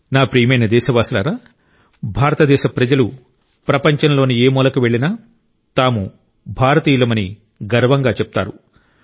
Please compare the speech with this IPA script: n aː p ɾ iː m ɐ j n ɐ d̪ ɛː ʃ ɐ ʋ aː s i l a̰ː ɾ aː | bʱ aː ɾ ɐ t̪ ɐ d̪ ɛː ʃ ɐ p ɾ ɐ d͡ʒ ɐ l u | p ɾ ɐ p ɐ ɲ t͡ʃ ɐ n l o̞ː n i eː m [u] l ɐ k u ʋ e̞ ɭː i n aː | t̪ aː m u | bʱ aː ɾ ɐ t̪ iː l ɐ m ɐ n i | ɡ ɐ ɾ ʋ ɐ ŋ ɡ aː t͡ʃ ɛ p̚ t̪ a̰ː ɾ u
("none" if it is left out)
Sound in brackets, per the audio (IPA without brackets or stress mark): uː